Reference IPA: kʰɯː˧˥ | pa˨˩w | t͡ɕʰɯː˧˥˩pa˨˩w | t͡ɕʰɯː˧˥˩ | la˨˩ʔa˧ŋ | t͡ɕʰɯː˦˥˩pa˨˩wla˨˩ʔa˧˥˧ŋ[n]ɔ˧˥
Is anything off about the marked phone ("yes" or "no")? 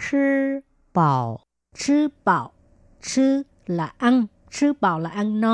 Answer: no